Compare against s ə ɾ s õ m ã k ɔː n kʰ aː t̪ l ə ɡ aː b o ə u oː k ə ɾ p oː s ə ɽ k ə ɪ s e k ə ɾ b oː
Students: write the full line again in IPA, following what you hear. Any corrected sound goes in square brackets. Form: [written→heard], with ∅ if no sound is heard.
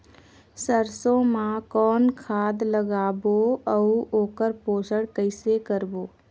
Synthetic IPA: s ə ɾ s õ m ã k ɔː n kʰ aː [t̪→d̪] l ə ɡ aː b o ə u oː k ə ɾ p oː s ə ɽ k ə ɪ s e k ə ɾ b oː